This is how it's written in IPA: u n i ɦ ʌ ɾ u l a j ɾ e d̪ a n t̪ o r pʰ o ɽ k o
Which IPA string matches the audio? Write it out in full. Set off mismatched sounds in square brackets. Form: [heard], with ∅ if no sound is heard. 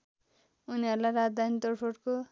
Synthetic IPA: u n i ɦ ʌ ɾ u l a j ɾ [a] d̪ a n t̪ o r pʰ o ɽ k o